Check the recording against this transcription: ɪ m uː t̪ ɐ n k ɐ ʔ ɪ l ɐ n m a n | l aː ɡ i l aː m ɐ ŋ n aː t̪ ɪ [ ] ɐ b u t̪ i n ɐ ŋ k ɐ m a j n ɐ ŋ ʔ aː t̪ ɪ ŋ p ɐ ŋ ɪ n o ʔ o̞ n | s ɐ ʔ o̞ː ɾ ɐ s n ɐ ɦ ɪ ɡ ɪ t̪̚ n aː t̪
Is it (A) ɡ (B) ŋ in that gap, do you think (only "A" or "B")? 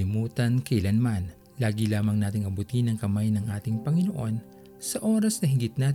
B